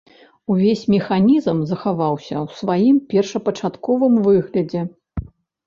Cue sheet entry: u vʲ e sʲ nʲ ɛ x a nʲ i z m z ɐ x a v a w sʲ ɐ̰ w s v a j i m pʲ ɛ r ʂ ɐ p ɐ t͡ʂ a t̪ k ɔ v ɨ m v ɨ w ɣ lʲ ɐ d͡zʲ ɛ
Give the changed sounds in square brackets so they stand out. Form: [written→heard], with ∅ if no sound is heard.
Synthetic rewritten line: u vʲ e sʲ [nʲ→mʲ] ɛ x a nʲ i z m z ɐ x a v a w sʲ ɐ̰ w s v a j i m pʲ ɛ r ʂ ɐ p ɐ t͡ʂ a t̪ k ɔ v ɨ m v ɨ [w→∅] ɣ lʲ ɐ d͡zʲ ɛ